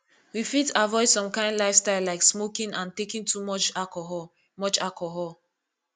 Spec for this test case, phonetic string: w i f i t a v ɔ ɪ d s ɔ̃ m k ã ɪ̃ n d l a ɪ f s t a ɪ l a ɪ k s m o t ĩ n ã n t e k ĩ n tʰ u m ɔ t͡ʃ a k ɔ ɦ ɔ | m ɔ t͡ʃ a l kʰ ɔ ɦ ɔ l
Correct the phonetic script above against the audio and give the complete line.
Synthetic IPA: w i f i t a v ɔ ɪ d s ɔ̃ m k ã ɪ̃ n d l a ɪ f s t a ɪ l a ɪ k s m o k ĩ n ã n t e k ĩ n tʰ u m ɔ t͡ʃ a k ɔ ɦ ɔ | m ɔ t͡ʃ a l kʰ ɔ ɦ ɔ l